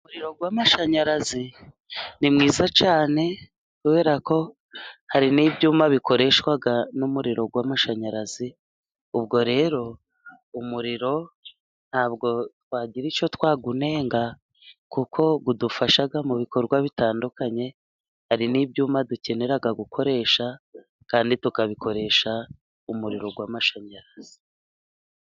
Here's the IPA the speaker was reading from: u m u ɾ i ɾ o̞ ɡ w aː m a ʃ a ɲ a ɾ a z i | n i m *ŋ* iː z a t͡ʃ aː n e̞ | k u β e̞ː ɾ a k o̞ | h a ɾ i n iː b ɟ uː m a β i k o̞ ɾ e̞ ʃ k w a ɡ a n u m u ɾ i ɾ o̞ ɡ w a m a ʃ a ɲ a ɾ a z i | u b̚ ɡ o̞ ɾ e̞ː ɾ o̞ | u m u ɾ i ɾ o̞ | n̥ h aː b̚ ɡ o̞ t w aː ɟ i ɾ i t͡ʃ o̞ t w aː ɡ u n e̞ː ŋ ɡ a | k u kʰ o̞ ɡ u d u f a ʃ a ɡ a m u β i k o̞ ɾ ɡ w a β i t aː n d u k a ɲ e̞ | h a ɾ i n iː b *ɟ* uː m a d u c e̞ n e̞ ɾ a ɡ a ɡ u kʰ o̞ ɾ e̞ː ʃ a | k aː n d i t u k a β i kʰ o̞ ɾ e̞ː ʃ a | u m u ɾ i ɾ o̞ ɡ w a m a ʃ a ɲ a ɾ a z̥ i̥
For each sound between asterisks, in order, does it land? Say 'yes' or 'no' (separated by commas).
yes, yes